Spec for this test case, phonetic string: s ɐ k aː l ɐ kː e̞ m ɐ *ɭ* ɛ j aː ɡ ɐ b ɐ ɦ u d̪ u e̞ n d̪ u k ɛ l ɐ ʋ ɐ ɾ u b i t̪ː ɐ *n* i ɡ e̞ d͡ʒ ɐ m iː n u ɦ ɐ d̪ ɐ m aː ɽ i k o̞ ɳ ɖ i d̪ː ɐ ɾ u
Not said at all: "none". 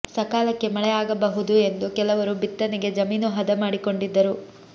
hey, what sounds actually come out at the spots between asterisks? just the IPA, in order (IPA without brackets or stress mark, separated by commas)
ɭ, n